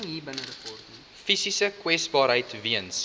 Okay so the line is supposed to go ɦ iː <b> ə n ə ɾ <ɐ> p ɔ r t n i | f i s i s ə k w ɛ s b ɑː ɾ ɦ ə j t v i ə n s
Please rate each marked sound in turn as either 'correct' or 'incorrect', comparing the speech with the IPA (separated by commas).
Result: correct, incorrect